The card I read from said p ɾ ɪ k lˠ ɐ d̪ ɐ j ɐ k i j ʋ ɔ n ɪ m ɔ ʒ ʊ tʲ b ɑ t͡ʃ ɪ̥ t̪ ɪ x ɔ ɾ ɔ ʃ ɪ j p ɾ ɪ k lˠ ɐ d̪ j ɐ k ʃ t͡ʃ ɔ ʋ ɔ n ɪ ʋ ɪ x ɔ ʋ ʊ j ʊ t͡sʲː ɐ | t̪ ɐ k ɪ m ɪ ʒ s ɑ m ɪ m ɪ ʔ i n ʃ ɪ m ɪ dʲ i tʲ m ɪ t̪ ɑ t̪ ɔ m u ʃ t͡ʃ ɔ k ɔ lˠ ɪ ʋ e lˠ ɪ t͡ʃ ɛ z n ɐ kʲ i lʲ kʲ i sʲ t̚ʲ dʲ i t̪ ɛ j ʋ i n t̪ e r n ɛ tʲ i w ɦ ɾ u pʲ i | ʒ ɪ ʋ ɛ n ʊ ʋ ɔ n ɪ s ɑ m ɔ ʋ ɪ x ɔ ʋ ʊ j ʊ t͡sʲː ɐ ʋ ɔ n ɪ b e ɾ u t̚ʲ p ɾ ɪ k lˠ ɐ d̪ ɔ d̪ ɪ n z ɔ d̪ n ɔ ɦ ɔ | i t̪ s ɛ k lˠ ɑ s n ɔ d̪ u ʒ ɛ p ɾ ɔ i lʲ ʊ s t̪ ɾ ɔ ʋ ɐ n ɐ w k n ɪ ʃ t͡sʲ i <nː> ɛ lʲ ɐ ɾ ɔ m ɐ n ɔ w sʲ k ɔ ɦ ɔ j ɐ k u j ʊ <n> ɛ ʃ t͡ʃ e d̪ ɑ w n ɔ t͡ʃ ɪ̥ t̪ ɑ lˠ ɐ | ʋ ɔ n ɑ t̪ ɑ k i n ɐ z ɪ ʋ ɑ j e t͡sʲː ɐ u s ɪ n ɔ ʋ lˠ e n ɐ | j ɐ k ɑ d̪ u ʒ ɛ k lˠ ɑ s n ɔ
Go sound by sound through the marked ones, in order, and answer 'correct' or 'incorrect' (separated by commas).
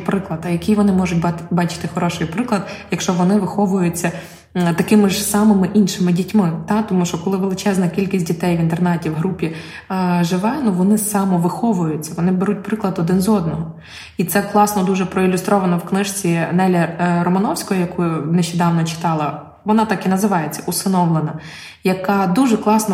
incorrect, correct